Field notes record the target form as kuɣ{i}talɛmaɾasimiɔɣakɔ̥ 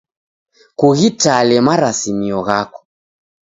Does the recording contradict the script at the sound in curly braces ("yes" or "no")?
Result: no